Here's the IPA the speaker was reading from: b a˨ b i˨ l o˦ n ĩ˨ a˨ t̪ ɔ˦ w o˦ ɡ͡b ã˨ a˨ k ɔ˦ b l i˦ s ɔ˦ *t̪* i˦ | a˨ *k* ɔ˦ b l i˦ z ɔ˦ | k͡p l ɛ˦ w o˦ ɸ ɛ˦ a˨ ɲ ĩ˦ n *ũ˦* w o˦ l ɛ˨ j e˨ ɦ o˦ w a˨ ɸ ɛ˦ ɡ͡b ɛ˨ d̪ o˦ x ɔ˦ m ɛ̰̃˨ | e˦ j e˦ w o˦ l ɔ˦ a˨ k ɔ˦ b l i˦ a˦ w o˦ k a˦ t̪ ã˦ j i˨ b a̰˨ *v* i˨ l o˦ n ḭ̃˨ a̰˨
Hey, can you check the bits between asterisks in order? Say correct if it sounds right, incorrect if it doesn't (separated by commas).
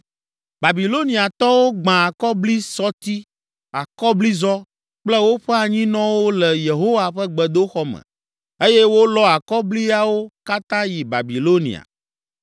correct, correct, incorrect, incorrect